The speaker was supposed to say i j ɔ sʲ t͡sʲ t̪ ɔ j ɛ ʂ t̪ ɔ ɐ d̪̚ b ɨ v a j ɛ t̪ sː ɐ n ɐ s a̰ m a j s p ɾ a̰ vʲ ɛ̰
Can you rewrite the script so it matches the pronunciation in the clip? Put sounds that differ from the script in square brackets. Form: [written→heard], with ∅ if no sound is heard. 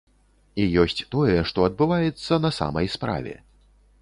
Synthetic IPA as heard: i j ɔ sʲ t͡sʲ t̪ ɔ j ɛ ʂ t̪ ɔ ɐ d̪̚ b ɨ v a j ɛ t̪ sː ɐ n ɐ s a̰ m [a→ɐ] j s p ɾ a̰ vʲ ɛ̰